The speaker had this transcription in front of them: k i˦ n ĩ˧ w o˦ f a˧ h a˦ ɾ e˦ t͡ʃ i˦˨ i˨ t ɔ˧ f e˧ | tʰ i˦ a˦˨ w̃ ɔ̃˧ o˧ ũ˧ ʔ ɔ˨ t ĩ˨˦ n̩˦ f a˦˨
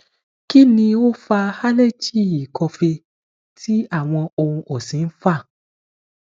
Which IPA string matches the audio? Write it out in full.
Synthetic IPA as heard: k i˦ n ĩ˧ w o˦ f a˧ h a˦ l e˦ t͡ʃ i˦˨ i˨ k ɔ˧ f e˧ | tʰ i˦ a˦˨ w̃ ɔ̃˧ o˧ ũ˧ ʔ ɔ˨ s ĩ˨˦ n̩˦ f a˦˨